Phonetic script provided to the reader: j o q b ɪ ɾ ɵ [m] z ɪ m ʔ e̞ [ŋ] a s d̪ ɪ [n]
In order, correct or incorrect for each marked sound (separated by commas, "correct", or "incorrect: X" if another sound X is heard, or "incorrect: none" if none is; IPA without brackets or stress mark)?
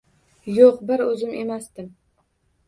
incorrect: none, incorrect: m, incorrect: m